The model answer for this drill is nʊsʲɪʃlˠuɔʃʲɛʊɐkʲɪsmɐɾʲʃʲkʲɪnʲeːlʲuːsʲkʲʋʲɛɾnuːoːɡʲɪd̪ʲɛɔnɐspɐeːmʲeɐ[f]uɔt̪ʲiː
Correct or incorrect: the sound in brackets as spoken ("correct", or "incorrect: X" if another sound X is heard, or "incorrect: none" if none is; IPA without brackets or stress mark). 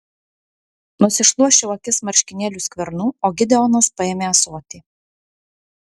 incorrect: s